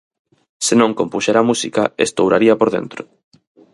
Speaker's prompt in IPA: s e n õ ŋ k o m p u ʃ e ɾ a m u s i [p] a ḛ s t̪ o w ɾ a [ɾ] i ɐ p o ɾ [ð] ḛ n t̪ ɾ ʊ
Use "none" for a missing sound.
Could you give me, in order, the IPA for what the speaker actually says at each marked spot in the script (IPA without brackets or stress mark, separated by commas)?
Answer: k, ɾ, ð